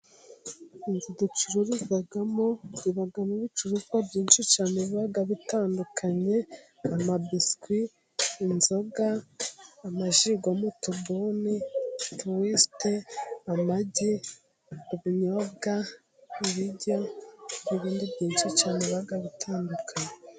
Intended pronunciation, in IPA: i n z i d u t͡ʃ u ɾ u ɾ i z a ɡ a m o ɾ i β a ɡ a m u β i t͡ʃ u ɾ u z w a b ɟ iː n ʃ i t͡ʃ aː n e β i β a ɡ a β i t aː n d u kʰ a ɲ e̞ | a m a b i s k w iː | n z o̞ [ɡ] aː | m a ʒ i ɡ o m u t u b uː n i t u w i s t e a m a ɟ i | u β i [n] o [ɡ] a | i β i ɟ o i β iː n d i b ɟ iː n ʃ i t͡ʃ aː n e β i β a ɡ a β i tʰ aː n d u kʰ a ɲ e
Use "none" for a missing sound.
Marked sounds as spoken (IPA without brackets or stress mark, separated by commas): ɡ, ɲ, ɡ